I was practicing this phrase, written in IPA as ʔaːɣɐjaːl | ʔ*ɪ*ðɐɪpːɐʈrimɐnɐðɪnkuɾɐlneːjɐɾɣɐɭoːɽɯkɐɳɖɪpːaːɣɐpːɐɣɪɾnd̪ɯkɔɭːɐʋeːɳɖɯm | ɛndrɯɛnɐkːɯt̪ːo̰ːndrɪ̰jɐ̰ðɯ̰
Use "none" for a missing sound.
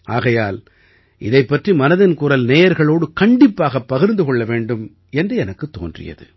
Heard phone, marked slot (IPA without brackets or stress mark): ɪ